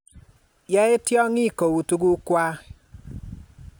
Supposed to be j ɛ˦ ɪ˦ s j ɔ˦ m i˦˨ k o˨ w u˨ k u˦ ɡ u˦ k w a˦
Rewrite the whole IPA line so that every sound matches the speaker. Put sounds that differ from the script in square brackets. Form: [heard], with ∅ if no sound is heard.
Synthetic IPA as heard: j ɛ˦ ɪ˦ [t] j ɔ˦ [ŋ] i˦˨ k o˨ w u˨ [t] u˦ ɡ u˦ k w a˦